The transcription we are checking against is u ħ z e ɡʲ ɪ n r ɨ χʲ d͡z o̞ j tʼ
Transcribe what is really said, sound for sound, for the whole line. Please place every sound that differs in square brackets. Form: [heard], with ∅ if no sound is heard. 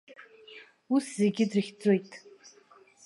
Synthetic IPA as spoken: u [s] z e ɡʲ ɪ [d] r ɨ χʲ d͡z o̞ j tʼ